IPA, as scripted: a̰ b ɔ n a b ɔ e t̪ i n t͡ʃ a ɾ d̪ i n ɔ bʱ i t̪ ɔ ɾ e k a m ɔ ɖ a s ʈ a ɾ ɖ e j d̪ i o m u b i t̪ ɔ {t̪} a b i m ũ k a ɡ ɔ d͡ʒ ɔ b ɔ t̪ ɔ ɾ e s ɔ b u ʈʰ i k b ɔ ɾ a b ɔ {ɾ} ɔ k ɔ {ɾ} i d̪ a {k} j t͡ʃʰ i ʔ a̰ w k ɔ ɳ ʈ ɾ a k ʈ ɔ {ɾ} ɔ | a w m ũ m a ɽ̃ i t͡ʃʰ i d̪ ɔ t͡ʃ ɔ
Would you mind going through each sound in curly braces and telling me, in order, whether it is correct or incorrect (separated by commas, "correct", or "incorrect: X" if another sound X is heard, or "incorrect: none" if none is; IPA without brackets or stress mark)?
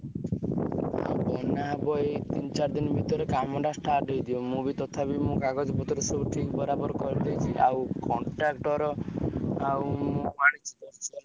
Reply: incorrect: t̪ʰ, correct, correct, incorrect: none, correct